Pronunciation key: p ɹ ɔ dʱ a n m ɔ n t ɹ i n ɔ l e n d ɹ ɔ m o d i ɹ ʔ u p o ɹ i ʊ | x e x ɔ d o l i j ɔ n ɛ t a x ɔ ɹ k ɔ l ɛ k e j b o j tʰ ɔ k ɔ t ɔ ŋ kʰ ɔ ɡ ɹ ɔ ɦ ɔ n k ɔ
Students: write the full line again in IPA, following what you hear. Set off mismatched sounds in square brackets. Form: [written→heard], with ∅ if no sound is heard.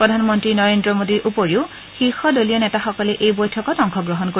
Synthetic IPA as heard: p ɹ ɔ dʱ a n m ɔ n t ɹ i n ɔ [l→ɹ] e n d ɹ ɔ m o d i ɹ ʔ u p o ɹ i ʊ | x [e→i] x ɔ d o l i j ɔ n ɛ t a x ɔ [ɹ→∅] k ɔ l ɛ [k→ʔ] e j b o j tʰ ɔ k ɔ t ɔ ŋ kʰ ɔ ɡ ɹ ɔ ɦ ɔ n k [ɔ→o]